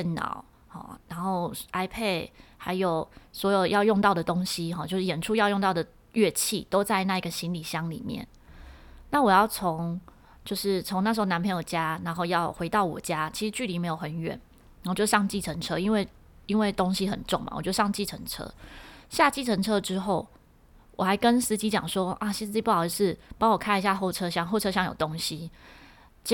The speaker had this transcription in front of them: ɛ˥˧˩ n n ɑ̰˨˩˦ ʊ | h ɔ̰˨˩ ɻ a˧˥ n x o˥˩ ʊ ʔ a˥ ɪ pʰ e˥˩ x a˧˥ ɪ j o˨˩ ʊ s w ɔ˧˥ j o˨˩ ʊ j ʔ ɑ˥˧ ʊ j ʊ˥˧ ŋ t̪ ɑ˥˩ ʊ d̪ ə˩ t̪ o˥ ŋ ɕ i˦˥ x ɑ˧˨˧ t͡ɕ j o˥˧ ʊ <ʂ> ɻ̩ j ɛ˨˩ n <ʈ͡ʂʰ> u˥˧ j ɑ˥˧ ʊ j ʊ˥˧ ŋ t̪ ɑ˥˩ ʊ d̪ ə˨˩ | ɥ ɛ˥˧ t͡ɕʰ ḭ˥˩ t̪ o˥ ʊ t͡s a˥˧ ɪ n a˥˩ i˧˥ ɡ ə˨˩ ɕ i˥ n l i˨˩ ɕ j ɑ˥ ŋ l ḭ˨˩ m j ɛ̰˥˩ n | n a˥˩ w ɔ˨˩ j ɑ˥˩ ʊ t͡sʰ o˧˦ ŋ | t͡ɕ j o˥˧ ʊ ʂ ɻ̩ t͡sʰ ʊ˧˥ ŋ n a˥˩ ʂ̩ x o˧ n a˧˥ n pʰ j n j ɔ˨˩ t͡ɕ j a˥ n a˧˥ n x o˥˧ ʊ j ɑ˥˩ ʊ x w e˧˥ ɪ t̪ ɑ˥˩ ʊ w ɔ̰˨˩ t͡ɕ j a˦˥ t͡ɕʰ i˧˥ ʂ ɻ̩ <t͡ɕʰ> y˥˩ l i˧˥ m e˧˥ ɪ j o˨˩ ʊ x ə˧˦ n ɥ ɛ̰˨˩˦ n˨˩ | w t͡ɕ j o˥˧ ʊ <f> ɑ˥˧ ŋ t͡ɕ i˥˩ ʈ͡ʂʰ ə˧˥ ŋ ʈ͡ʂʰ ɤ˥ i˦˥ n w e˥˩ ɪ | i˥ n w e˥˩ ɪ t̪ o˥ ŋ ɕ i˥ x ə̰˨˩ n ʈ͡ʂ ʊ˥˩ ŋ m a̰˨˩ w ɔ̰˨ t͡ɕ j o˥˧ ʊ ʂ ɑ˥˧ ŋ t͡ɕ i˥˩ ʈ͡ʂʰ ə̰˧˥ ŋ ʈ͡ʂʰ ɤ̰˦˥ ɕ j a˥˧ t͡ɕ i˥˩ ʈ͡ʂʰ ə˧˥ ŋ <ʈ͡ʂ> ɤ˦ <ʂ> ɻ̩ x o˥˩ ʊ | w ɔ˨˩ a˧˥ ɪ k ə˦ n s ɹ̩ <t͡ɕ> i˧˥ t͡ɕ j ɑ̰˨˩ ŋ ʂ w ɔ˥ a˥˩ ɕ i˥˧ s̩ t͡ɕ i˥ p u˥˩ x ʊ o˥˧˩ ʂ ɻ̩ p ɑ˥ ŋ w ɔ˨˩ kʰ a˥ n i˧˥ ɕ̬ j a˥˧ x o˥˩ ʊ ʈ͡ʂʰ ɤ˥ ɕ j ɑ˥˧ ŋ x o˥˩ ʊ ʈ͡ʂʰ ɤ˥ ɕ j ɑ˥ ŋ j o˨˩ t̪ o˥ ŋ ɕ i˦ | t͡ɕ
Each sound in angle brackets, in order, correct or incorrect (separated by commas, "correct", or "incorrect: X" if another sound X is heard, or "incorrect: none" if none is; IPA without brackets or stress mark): correct, correct, incorrect: t͡ɕ, incorrect: ʂ, incorrect: ʈ͡ʂʰ, incorrect: ʈ͡ʂ, correct